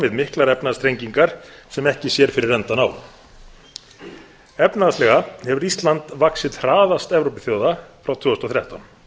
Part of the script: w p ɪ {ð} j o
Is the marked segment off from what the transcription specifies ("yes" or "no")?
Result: yes